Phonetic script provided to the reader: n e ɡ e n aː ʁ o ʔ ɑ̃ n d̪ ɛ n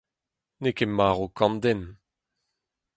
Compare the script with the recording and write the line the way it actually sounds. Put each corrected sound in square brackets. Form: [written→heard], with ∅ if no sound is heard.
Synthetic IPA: n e [ɡ→k] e [n→m] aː ʁ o [ʔ→k] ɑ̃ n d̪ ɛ n

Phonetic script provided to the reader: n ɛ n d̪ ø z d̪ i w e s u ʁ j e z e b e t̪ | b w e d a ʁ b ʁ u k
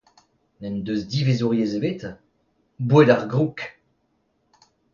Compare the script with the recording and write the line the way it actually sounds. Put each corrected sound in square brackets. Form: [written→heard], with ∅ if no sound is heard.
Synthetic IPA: n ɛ n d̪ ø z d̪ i [w→v] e [s→z] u ʁ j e z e b e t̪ | b w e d a ʁ [b→ɡ] ʁ u k

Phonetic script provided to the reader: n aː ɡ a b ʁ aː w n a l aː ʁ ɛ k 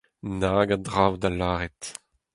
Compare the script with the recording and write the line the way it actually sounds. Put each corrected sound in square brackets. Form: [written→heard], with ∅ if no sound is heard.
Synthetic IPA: n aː ɡ a [b→d] ʁ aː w [n→d] a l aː ʁ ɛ [k→t]

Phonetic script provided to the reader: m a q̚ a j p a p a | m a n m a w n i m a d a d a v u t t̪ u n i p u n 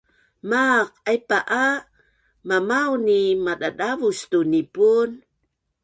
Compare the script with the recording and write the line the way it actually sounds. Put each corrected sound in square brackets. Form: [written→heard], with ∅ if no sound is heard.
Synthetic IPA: m a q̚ a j p a [p→ʔ] a | m a [n→∅] m a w n i m a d a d a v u [t→s] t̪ u n i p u n

